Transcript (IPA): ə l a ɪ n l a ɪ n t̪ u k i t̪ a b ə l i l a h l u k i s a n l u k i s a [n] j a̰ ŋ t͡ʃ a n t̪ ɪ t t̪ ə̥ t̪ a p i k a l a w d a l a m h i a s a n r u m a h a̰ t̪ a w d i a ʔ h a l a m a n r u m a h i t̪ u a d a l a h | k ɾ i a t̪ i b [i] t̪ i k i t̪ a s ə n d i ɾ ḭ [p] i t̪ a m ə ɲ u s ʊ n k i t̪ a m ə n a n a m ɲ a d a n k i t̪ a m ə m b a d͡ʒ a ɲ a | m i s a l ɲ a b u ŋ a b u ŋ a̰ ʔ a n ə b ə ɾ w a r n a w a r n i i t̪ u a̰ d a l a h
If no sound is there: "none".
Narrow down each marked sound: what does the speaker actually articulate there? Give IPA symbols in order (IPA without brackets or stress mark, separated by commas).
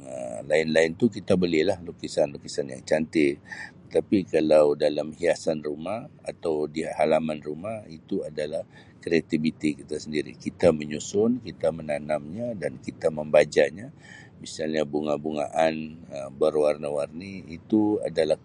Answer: n, i, k